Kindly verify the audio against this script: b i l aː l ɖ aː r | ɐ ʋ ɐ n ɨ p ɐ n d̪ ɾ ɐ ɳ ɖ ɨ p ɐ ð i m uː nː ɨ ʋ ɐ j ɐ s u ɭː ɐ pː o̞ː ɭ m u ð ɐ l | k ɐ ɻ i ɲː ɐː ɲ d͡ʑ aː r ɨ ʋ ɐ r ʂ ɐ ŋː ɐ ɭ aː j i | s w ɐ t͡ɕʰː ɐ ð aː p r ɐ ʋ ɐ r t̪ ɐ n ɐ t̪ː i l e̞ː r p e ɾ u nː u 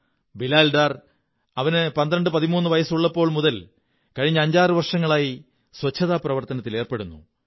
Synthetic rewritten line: b i l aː l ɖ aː r | ɐ ʋ ɐ n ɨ p ɐ n d̪ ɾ ɐ ɳ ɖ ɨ p ɐ ð i m uː nː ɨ ʋ ɐ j ɐ s u ɭː ɐ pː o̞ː ɭ m u ð ɐ l | k ɐ ɻ i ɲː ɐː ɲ d͡ʑ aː r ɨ ʋ ɐ r ʂ ɐ ŋː ɐ ɭ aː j i | s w ɐ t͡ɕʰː ɐ ð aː p r ɐ ʋ ɐ r t̪ ɐ n ɐ t̪ː i l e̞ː r p e ɽ u nː u